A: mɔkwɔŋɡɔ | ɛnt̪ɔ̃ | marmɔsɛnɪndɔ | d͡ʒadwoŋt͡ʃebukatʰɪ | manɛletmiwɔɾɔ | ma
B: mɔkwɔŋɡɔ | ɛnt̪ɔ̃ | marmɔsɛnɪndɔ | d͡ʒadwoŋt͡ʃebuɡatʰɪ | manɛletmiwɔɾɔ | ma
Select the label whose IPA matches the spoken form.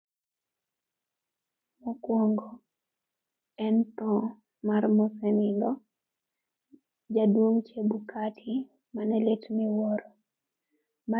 A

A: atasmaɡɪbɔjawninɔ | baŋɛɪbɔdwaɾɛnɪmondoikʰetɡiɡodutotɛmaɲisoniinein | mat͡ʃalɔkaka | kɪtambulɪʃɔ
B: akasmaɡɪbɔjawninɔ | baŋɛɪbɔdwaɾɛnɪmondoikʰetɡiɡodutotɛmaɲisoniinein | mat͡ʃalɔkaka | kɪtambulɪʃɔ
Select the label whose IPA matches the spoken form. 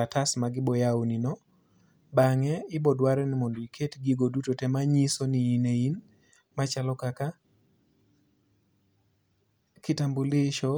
A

